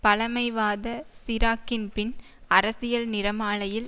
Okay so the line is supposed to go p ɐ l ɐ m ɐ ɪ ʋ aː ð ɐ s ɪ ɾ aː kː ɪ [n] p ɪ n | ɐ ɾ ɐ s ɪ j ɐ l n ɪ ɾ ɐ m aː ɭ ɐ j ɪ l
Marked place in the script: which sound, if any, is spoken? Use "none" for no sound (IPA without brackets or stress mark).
n